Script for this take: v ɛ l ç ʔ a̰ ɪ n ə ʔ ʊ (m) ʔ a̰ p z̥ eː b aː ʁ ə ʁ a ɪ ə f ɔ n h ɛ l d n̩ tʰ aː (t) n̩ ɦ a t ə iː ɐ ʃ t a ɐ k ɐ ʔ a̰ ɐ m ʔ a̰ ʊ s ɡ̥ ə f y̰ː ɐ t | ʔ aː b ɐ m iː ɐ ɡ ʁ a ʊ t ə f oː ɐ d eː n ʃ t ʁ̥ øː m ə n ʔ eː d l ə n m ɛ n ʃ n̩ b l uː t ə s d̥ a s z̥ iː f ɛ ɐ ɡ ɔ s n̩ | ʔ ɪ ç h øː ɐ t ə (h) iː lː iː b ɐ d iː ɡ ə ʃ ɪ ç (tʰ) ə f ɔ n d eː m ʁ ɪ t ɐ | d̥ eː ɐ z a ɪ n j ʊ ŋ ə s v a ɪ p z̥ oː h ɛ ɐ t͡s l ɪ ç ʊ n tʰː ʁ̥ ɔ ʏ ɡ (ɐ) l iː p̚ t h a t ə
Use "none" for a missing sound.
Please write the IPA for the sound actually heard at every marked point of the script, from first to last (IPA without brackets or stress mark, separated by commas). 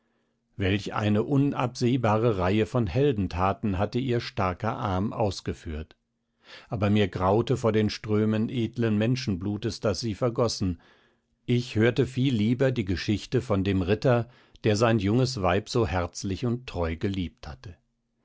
n, t, f, t, ə